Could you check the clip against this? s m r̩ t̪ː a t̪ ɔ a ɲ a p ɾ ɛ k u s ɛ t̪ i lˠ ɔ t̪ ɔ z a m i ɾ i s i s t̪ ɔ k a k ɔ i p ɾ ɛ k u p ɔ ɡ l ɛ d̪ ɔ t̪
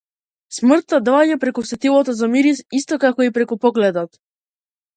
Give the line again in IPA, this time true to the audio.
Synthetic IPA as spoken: s m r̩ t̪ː a d̪ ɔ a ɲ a p ɾ ɛ k u s ɛ t̪ i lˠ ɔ t̪ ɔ z a m i ɾ i s i s t̪ ɔ k a k ɔ i p ɾ ɛ k u p ɔ ɡ l ɛ d̪ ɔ t̪